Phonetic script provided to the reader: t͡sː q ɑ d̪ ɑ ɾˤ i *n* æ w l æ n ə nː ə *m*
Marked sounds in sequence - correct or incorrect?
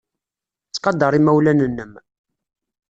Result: incorrect: m, correct

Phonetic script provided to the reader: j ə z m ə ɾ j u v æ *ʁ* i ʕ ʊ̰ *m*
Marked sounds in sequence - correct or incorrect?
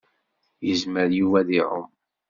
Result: incorrect: ð, correct

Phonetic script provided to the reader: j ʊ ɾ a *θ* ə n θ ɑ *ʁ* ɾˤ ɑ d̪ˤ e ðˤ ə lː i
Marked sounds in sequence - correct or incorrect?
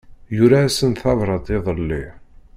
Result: incorrect: s, incorrect: v

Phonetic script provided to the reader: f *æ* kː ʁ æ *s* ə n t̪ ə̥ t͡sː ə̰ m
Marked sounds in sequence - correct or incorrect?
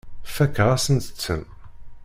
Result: correct, correct

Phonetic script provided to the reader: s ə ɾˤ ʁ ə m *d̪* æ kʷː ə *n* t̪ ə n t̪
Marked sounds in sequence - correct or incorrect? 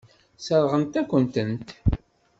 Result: incorrect: t̪, correct

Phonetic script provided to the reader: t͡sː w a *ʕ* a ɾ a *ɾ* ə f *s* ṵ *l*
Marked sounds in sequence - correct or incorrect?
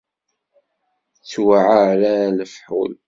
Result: correct, incorrect: l, incorrect: ħ, correct

